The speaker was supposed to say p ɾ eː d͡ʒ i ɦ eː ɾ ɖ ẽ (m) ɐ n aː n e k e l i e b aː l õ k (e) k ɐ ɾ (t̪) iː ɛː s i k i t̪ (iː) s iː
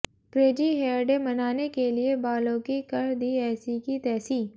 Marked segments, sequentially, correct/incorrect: correct, incorrect, incorrect, incorrect

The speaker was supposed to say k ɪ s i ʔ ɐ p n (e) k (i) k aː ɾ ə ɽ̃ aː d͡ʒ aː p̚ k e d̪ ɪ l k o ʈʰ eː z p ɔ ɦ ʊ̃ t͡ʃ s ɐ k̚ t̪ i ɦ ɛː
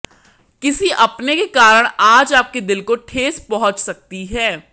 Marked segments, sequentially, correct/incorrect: correct, incorrect

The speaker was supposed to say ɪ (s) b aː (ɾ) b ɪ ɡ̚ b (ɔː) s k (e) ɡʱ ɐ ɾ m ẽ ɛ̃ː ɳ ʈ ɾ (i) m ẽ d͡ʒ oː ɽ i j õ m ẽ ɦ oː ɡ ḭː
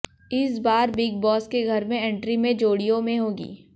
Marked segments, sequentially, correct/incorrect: correct, correct, correct, correct, correct

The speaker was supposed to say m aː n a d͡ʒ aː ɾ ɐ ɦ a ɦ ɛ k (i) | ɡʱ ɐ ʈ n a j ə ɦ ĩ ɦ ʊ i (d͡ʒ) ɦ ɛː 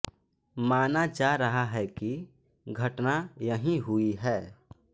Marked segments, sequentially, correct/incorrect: correct, incorrect

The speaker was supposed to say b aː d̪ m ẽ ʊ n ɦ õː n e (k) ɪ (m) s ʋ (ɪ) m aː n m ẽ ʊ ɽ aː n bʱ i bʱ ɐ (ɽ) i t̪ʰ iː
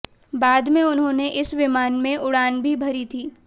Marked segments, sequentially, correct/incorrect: incorrect, incorrect, correct, incorrect

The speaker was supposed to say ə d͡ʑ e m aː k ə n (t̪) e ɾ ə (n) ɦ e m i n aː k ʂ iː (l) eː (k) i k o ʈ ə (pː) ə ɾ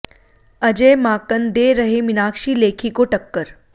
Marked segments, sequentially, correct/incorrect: incorrect, incorrect, correct, incorrect, incorrect

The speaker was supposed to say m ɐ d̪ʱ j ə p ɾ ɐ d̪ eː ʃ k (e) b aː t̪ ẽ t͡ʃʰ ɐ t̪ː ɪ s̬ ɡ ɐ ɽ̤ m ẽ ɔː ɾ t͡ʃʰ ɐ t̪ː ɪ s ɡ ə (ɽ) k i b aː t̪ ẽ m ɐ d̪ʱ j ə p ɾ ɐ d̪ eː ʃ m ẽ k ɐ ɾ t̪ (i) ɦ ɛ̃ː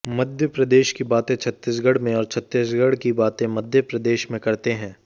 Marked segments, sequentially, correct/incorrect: incorrect, correct, incorrect

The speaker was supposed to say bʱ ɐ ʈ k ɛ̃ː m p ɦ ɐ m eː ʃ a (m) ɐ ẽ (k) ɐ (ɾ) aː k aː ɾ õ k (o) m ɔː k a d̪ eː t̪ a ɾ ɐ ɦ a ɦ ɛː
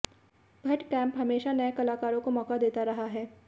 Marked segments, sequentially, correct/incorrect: incorrect, correct, incorrect, correct

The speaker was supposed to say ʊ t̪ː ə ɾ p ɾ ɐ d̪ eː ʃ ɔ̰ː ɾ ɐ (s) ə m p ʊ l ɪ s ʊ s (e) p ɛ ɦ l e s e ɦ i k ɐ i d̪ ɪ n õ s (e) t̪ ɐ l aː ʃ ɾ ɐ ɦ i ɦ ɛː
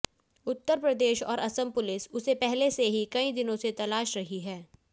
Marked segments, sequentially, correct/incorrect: correct, correct, correct

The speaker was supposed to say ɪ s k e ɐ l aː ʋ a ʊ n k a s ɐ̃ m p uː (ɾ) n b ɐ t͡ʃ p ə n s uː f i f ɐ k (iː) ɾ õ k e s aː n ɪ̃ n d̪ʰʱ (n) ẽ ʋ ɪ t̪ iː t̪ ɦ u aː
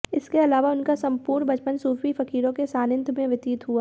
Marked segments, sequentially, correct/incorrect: correct, correct, incorrect

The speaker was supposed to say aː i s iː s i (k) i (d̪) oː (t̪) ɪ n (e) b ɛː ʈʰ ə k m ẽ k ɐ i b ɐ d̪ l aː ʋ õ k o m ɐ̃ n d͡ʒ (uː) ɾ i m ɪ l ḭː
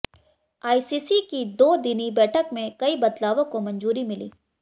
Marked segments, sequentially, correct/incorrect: correct, correct, incorrect, incorrect, correct

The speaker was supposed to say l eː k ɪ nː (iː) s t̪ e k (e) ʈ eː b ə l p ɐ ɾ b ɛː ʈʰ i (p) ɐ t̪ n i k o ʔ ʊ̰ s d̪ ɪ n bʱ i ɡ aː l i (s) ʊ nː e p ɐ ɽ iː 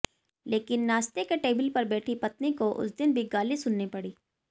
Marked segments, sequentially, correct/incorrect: incorrect, correct, correct, correct

